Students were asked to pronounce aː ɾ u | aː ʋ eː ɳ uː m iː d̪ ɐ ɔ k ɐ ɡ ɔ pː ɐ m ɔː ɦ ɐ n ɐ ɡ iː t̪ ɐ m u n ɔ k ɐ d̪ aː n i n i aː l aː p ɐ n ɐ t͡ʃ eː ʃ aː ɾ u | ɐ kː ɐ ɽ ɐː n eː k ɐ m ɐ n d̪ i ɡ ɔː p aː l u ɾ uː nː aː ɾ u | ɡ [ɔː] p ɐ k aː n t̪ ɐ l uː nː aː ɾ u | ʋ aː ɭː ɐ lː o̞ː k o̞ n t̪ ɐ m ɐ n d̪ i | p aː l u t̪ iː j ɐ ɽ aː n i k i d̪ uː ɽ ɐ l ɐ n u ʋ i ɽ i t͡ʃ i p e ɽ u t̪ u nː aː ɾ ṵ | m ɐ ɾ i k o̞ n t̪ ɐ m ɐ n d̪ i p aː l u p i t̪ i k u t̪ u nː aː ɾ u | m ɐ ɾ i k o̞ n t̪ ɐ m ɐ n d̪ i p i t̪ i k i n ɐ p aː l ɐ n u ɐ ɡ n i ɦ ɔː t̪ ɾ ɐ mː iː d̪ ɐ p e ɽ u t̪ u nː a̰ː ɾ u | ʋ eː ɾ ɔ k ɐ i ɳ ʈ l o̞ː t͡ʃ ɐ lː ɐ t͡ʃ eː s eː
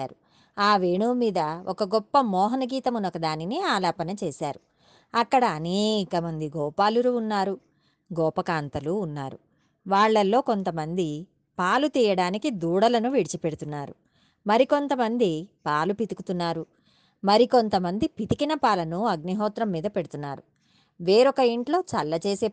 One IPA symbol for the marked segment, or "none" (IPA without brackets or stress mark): ɔː